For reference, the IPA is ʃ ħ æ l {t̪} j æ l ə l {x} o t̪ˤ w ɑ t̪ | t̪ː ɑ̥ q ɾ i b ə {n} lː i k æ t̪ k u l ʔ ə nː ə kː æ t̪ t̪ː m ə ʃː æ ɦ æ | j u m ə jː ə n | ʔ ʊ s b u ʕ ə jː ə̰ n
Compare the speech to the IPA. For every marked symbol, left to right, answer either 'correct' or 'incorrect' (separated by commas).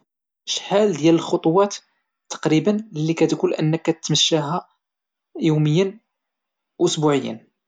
incorrect, correct, correct